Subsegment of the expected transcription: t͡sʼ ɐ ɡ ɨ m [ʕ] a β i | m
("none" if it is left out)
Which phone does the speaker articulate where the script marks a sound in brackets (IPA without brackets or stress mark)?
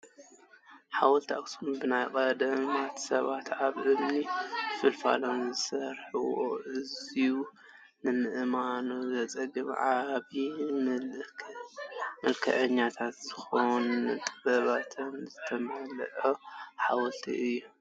ʕ